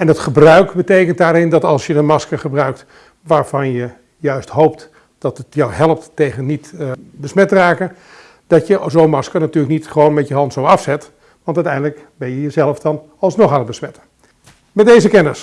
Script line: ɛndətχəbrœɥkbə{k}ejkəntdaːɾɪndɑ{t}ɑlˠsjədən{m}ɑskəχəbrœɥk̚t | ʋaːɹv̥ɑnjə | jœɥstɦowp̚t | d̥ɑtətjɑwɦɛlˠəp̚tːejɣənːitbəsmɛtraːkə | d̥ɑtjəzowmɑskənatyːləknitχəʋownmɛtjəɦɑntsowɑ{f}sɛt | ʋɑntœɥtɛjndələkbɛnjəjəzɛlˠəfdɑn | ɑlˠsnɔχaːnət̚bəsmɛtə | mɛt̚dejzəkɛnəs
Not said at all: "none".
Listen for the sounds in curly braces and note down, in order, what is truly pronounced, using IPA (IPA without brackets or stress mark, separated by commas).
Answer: t, t, m, f